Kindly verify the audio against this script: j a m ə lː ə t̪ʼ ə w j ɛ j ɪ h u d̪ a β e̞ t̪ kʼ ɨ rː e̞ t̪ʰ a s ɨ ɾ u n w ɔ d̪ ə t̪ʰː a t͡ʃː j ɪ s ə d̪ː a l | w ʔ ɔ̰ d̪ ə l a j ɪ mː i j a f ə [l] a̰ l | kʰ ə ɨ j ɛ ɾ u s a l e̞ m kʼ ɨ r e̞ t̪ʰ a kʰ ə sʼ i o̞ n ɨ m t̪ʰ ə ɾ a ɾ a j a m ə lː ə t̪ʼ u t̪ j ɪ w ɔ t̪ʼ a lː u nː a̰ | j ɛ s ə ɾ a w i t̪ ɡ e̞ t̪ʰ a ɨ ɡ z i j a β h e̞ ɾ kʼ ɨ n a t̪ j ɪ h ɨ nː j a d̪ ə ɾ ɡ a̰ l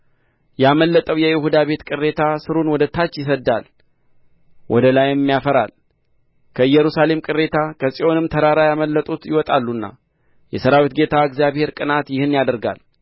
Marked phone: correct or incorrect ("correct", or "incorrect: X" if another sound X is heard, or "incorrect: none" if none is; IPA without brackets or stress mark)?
incorrect: ɾ